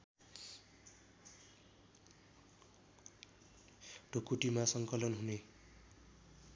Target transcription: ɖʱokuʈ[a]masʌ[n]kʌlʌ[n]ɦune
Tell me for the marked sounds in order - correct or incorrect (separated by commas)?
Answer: incorrect, incorrect, correct